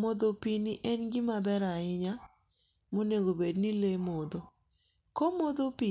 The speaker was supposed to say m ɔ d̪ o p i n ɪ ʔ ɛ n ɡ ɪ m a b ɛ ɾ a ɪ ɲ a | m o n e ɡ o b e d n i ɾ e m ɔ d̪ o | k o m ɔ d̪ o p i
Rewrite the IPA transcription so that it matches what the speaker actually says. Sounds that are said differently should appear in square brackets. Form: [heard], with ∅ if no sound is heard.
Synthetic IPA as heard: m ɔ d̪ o p i n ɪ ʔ ɛ n ɡ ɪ m a b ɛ ɾ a ɪ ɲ a | m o n e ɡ o b e d n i [l] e m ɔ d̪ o | k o m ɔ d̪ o p i